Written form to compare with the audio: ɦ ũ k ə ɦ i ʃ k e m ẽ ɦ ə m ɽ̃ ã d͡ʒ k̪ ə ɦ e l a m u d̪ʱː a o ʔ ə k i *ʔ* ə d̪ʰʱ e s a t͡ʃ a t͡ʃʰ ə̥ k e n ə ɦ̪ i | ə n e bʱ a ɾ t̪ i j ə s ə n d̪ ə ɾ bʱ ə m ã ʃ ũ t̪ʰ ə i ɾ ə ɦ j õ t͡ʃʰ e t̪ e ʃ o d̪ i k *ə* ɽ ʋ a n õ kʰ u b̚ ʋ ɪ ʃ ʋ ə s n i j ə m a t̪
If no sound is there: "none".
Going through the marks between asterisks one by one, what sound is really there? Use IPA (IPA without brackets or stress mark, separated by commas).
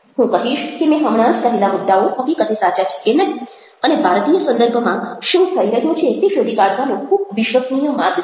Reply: k, a